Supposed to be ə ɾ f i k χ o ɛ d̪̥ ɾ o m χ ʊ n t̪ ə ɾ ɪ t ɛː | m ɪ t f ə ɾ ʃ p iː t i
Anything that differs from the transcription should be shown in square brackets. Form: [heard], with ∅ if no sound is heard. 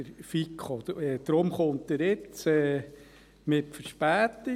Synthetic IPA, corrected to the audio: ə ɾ f i k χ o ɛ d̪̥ ɾ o m χ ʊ n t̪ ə ɾ ɪ [t͡s] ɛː | m ɪ t f ə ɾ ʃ p [æː] t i